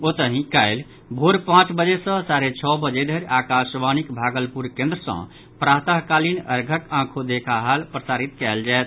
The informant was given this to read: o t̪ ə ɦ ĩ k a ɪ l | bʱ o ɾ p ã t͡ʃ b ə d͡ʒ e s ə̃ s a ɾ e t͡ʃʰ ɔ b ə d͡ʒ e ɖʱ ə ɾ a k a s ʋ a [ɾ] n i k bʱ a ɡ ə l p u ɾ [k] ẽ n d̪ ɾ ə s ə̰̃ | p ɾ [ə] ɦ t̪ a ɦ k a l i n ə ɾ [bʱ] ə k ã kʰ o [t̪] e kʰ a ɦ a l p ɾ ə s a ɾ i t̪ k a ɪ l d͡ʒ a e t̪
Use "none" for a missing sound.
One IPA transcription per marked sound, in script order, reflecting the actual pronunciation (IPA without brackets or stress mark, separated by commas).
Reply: none, k, a, ɡʱ, d̪